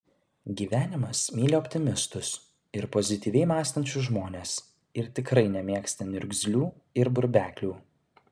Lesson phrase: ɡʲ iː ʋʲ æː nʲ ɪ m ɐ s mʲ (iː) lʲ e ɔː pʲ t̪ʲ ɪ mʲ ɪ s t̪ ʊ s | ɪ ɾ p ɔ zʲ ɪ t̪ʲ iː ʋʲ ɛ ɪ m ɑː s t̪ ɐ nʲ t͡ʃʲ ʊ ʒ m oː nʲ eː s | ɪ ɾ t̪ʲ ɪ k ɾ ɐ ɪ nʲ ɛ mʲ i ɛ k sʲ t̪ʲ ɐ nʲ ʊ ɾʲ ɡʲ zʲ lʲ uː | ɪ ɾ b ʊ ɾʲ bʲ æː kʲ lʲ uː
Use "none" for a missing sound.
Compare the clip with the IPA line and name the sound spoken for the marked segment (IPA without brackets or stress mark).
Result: iː